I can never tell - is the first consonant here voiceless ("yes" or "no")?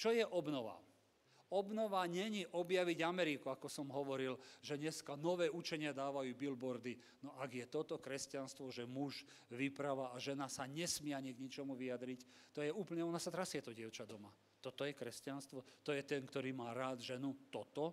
yes